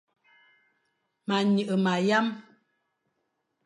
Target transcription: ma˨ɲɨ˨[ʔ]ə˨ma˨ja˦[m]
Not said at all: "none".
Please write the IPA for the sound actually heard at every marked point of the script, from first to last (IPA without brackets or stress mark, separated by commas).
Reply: ʔ, m